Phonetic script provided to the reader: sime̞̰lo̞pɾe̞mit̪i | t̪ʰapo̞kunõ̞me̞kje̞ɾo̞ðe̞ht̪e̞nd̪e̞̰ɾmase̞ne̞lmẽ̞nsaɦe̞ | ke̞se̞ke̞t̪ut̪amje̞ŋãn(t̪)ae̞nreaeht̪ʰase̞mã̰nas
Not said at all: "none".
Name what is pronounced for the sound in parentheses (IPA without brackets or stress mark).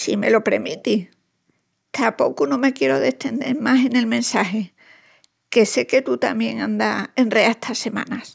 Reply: d̪